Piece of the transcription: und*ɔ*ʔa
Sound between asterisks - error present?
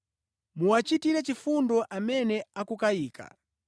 no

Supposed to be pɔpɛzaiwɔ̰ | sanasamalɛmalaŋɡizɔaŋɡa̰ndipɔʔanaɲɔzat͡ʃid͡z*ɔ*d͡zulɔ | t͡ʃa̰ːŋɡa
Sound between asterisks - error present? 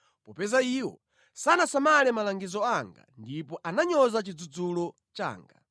yes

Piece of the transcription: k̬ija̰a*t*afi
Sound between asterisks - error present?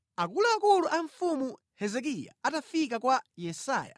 no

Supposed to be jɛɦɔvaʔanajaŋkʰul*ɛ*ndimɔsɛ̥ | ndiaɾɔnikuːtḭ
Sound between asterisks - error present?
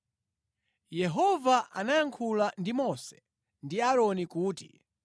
yes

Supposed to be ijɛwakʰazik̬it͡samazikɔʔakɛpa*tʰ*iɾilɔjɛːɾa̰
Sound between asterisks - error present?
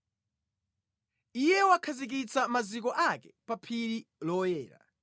yes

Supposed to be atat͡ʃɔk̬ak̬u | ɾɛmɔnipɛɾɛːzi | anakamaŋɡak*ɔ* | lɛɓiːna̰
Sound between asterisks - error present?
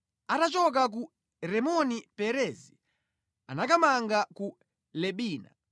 yes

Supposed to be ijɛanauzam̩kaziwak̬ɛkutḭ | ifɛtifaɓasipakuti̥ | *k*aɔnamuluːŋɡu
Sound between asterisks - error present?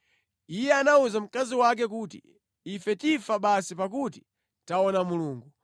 yes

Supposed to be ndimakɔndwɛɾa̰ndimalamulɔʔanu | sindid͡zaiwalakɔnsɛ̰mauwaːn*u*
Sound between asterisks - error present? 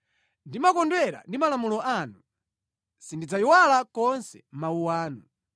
no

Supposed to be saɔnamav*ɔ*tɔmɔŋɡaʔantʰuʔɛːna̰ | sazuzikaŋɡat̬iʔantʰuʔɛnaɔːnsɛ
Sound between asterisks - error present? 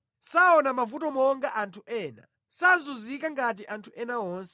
yes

